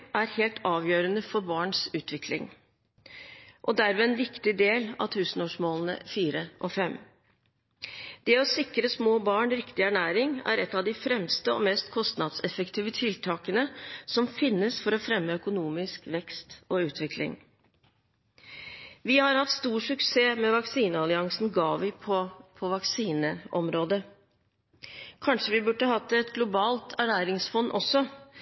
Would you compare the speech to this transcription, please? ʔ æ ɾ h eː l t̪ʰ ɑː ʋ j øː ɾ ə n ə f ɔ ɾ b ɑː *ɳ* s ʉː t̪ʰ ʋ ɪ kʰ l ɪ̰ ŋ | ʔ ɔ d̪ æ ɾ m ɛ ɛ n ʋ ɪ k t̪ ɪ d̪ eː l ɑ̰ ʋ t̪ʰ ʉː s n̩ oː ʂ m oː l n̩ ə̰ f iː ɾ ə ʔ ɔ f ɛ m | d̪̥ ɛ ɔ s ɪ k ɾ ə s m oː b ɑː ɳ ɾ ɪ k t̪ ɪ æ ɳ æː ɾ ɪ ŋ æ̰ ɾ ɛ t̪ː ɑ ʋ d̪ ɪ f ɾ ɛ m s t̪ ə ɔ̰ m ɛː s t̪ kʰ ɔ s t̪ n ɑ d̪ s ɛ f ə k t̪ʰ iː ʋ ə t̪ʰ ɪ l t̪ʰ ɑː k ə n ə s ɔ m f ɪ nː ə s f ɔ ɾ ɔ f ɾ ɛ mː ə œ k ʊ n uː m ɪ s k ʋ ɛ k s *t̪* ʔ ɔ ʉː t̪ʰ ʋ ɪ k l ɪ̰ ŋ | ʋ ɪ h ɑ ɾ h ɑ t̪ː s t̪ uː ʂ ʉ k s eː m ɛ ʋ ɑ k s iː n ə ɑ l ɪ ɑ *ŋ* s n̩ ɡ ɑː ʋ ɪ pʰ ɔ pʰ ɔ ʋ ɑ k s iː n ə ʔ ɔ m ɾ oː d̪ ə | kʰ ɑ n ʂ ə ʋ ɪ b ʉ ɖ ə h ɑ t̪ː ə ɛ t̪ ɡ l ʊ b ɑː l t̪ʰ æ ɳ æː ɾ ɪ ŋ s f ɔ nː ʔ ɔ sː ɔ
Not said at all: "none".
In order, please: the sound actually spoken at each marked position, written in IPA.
ɳ, t̪, ŋ

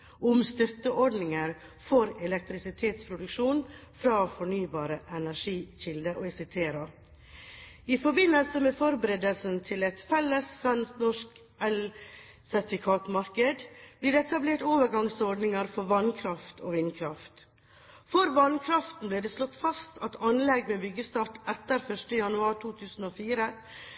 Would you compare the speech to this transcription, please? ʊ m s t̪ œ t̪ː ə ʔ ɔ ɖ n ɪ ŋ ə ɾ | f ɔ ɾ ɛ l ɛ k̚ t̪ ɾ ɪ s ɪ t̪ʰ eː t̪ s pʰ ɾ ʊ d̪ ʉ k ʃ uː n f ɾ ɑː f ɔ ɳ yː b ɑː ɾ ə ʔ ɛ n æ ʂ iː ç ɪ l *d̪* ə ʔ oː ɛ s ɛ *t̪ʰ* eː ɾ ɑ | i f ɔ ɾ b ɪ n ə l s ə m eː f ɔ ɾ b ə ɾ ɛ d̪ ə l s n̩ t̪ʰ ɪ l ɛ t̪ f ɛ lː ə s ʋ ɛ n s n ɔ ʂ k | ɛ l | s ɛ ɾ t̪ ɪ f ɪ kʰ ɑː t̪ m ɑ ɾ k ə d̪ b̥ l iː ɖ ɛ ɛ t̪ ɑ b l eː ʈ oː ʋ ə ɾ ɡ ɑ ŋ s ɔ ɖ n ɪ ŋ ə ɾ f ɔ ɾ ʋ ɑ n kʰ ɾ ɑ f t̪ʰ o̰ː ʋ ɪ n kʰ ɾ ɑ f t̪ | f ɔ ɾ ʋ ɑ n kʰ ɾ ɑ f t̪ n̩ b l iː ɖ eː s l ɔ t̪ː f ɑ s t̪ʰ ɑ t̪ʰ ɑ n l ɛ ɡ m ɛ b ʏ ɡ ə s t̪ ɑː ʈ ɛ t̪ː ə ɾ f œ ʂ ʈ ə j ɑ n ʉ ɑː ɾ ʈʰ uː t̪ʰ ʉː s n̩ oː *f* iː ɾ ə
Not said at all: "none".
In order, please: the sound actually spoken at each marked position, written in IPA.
d̪, t̪ʰ, f

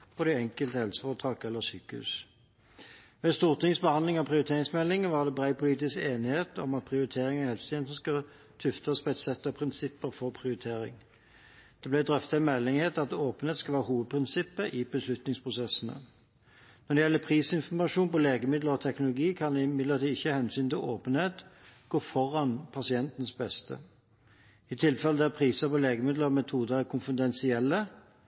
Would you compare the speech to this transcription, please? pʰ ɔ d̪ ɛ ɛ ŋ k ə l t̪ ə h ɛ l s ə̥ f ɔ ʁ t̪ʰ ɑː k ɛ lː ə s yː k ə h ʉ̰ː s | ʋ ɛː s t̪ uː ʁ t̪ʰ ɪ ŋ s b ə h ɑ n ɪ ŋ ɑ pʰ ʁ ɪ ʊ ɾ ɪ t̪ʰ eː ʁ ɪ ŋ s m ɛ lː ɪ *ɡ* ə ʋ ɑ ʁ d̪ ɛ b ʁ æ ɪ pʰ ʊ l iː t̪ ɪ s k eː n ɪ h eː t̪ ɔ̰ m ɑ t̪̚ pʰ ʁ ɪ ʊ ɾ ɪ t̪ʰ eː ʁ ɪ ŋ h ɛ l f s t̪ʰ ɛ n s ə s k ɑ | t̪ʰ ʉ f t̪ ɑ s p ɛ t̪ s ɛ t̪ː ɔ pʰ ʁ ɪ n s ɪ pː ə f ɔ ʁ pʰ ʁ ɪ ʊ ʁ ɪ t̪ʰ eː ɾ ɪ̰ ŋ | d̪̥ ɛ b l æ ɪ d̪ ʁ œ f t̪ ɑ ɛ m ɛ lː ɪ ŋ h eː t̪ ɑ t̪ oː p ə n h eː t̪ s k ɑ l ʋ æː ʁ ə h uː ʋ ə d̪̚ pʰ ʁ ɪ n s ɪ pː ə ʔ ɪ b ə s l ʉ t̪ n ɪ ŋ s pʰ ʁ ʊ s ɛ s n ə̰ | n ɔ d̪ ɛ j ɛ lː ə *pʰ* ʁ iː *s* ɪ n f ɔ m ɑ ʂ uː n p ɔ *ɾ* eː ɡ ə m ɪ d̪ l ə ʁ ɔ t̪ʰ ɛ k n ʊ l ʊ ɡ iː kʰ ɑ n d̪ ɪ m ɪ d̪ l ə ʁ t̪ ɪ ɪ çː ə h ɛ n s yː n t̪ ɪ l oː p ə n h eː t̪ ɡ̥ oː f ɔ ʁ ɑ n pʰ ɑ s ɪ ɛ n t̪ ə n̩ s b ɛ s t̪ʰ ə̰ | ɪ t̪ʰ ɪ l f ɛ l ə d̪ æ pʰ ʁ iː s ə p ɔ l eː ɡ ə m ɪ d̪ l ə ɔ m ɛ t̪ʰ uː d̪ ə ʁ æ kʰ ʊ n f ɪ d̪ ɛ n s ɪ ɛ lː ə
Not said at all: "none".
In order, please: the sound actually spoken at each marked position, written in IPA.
ŋ, pʰ, s, l

